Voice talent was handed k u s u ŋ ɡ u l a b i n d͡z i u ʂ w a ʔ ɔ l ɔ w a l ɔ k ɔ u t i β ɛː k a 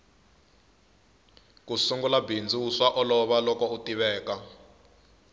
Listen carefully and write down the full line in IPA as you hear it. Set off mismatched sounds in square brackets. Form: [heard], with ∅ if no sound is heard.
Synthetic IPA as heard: k u s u ŋ ɡ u l a b i n d͡z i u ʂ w a ʔ ɔ l ɔ [β] a l ɔ k ɔ u t i β ɛː k a